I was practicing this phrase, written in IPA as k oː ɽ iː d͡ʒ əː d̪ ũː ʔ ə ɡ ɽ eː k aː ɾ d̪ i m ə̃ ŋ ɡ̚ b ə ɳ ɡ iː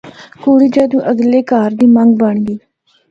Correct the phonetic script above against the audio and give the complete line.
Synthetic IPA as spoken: k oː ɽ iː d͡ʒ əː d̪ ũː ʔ ə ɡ l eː k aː ɾ d̪ iː m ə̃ ŋ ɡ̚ b ə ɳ ɡ iː